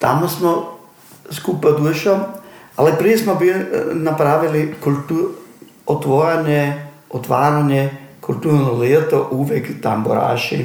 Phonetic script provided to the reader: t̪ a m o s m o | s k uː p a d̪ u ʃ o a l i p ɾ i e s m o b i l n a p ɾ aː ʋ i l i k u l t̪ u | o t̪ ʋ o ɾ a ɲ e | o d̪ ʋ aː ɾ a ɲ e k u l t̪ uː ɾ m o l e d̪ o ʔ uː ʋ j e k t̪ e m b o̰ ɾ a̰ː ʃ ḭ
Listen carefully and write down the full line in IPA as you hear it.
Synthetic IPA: t̪ a m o s m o | s k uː p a d̪ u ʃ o a l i p ɾ i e s m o b i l n a p ɾ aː ʋ i l i k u l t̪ u | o t̪ ʋ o ɾ a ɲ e | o t̪ ʋ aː ɾ a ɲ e k u l t̪ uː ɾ n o l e t̪ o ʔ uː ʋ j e k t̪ a m b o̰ ɾ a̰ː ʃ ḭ